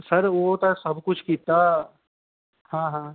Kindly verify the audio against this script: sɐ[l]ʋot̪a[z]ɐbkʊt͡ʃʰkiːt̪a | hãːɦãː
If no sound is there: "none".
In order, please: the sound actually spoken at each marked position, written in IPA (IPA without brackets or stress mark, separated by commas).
ɾ, s